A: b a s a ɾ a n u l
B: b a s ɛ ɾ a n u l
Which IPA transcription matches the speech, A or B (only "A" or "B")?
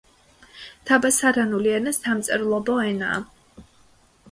A